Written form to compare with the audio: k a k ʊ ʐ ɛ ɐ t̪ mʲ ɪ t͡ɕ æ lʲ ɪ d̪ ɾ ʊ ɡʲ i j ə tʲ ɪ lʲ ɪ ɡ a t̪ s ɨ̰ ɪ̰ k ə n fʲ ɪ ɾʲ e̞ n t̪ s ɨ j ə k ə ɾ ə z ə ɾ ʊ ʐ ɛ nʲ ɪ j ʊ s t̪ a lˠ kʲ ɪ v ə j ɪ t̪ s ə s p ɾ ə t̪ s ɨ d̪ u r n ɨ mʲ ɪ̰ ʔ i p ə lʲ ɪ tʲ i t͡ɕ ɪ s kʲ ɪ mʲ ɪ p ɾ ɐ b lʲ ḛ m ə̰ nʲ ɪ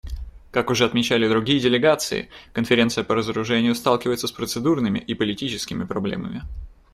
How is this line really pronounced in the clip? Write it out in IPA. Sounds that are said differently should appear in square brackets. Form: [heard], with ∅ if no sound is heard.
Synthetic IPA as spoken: k a k ʊ ʐ ɛ ɐ t̪ mʲ ɪ t͡ɕ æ lʲ ɪ d̪ ɾ ʊ ɡʲ i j ə [dʲ] ɪ lʲ ɪ ɡ a t̪ s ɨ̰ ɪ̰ k ə n fʲ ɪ ɾʲ e̞ n t̪ s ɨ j ə [p] ə ɾ ə z ə ɾ ʊ ʐ ɛ nʲ ɪ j ʊ s t̪ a lˠ kʲ ɪ v ə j ɪ t̪ s ə s p ɾ ə t̪ s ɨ d̪ u r n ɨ mʲ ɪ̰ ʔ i p ə lʲ ɪ tʲ i t͡ɕ ɪ s kʲ ɪ mʲ ɪ p ɾ ɐ b lʲ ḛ m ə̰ [mʲ] ɪ